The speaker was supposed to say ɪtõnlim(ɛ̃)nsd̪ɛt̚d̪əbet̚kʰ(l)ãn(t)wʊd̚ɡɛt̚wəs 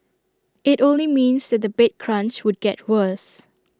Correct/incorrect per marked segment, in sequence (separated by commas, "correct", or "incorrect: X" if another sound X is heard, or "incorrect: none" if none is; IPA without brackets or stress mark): incorrect: ĩ, incorrect: ɹ, incorrect: t͡ʃ